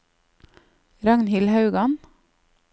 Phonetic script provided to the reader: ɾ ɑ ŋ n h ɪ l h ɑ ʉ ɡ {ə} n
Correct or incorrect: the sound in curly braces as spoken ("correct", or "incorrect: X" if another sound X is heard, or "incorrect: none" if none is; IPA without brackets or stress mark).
incorrect: ɑ